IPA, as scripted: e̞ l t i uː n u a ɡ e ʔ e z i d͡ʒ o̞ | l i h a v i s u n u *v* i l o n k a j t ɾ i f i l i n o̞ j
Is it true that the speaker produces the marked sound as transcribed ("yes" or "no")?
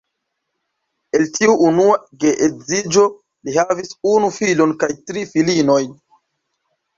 no